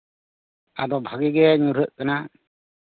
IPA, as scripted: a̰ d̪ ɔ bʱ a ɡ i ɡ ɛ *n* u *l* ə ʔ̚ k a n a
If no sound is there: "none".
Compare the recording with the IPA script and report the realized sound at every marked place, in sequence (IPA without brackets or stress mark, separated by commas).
ɲ, ɾ